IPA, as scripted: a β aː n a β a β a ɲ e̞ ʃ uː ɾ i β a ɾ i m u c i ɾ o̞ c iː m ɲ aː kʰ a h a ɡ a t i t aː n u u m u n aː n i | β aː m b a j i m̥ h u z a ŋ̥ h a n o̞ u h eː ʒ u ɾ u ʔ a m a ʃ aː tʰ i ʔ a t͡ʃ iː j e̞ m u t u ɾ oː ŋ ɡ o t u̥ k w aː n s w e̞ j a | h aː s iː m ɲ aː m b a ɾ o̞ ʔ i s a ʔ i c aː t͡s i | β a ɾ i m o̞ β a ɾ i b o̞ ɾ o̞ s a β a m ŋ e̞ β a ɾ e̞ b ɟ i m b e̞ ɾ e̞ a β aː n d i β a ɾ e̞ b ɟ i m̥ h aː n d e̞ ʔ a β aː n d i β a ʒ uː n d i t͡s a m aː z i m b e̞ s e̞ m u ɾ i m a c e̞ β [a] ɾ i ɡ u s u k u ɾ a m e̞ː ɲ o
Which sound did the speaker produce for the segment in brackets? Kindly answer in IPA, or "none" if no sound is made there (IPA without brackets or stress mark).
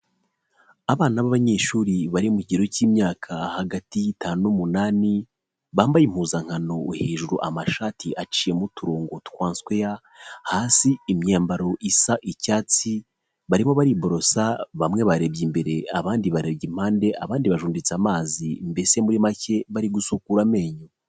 a